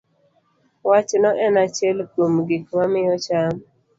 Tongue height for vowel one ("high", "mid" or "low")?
low